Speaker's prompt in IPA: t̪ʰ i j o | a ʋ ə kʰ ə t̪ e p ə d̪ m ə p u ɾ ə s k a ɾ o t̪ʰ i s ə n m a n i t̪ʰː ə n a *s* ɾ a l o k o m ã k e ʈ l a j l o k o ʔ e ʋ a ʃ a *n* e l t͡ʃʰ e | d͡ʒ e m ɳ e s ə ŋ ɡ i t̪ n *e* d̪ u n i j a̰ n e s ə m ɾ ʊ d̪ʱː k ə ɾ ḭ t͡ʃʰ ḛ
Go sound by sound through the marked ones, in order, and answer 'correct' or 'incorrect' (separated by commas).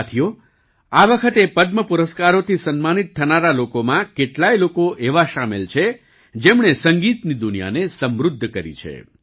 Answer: incorrect, incorrect, incorrect